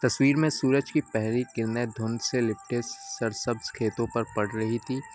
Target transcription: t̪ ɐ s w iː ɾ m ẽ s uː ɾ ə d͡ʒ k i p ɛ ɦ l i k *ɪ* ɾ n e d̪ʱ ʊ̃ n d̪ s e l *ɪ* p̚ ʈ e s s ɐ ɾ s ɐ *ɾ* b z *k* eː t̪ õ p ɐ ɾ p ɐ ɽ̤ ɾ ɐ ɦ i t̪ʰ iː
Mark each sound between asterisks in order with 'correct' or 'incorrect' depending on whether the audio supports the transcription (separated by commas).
correct, correct, incorrect, incorrect